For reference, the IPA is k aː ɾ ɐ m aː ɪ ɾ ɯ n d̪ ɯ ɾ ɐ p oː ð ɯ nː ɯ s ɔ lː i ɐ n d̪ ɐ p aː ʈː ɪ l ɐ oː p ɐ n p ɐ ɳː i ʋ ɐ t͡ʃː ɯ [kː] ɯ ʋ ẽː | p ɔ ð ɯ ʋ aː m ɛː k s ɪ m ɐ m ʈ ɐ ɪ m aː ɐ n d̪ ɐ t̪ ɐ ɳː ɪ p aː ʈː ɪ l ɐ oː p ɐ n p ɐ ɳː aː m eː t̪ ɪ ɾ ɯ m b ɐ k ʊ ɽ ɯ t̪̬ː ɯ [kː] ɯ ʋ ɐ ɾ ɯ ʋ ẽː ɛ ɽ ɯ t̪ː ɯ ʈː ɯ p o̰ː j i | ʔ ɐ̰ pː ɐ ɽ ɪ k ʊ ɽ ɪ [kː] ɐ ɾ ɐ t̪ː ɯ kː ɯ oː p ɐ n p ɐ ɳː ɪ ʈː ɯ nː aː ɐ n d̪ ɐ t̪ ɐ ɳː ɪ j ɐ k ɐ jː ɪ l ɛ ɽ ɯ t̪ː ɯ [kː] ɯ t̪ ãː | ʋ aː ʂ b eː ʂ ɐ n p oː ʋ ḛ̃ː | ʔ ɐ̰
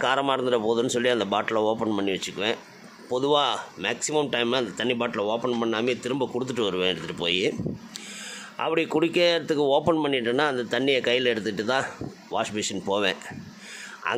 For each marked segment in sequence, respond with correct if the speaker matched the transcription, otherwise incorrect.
correct, incorrect, correct, incorrect

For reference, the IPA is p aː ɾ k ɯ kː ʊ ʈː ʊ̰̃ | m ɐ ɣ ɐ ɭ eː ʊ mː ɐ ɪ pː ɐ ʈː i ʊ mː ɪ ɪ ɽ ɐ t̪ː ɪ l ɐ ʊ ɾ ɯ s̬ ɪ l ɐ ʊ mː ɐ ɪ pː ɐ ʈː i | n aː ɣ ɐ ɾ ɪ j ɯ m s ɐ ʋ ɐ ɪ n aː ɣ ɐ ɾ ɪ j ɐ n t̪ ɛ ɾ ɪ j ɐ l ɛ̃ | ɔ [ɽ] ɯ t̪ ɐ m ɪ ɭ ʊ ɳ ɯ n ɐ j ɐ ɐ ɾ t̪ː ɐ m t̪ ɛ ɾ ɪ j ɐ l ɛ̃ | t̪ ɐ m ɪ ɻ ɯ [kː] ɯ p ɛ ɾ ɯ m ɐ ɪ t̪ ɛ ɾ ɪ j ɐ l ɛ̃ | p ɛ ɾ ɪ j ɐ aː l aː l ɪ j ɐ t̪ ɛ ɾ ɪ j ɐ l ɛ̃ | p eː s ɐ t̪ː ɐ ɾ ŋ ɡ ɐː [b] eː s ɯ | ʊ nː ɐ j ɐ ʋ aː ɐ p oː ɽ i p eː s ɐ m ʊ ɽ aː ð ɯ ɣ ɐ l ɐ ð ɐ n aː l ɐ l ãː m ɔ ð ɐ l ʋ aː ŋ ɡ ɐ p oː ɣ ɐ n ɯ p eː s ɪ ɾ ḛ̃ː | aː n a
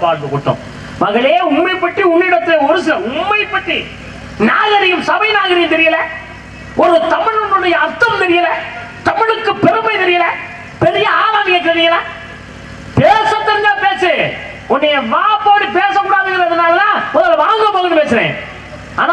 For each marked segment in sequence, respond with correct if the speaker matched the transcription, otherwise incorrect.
incorrect, correct, incorrect

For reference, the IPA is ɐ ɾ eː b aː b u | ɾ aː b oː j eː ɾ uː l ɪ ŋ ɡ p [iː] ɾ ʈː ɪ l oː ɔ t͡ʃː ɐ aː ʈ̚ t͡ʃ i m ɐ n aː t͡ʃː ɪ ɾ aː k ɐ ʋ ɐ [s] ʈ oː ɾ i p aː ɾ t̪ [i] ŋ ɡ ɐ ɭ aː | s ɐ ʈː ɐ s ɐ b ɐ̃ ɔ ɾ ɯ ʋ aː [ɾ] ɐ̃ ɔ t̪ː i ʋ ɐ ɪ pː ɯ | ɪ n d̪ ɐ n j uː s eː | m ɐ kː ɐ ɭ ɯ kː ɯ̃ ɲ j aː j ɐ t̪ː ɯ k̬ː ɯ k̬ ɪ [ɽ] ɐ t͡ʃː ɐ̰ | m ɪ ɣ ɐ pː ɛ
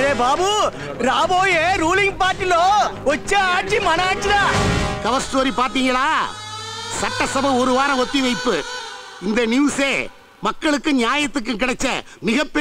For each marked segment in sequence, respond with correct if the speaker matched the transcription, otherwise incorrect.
incorrect, correct, incorrect, correct, correct

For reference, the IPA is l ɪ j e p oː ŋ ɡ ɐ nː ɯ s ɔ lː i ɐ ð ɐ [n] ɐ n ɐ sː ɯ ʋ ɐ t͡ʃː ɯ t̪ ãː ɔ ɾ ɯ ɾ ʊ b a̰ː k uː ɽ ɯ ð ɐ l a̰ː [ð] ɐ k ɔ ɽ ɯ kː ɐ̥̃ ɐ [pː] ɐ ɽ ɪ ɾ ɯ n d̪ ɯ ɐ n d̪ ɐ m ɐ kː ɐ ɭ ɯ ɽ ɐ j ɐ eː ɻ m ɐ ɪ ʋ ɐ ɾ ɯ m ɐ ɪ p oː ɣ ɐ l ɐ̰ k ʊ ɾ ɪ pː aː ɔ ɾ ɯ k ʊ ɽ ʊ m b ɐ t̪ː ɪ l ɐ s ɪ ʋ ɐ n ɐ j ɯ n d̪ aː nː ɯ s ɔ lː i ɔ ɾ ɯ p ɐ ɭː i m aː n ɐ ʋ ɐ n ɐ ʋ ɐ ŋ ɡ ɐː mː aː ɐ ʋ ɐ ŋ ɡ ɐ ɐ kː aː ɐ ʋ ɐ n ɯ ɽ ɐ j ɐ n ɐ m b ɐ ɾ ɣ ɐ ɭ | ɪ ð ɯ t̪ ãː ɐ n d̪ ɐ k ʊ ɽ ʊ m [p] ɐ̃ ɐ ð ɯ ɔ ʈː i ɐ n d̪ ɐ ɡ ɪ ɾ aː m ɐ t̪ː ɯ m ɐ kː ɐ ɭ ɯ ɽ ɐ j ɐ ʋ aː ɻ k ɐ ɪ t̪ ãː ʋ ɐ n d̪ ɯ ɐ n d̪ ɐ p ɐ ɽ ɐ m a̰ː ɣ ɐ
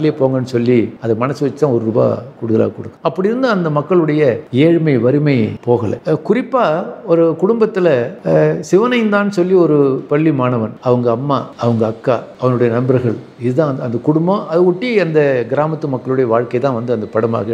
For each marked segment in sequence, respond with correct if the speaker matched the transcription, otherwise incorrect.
incorrect, incorrect, correct, incorrect

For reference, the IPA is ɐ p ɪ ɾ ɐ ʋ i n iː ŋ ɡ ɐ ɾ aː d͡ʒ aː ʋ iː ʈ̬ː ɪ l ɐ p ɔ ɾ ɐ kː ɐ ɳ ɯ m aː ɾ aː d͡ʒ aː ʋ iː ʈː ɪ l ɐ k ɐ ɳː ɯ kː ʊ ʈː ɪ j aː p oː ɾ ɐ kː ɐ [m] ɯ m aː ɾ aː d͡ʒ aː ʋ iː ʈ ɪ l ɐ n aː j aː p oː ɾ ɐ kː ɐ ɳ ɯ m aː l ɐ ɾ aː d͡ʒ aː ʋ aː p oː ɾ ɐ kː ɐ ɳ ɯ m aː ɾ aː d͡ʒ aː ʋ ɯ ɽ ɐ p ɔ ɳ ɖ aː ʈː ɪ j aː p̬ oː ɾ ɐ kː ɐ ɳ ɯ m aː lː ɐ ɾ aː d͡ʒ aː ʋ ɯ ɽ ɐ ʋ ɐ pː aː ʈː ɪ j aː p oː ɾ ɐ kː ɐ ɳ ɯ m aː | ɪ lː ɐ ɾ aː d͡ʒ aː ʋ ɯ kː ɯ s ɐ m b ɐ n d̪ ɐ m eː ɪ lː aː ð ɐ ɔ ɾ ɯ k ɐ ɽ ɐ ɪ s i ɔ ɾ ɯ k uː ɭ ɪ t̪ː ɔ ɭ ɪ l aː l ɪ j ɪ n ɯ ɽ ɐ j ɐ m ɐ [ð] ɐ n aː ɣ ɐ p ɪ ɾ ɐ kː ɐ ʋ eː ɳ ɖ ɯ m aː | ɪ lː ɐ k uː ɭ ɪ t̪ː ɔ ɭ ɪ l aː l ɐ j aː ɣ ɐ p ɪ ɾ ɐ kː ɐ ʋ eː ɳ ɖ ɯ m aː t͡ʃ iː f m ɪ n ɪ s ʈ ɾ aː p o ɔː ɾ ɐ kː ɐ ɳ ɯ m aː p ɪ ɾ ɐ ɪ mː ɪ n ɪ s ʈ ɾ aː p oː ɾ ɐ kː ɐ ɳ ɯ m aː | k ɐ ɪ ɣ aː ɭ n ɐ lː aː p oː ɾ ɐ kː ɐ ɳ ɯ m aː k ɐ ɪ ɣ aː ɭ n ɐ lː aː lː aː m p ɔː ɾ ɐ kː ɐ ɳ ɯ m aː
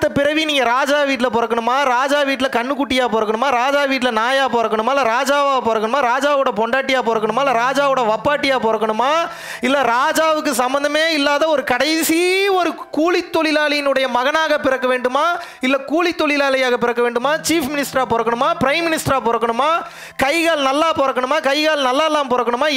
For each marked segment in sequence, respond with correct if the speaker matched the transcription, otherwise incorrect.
incorrect, incorrect

